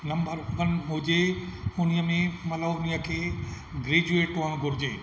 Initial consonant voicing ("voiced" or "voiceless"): voiced